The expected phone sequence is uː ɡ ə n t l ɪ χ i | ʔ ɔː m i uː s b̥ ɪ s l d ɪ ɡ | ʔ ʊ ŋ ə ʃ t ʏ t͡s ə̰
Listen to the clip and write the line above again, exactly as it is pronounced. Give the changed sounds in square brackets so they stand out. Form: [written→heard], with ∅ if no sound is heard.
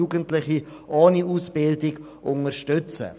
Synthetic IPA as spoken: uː ɡ ə n t l ɪ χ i | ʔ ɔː [m→n] i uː s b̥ ɪ [s→∅] l d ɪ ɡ | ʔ ʊ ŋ ə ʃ t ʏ t͡s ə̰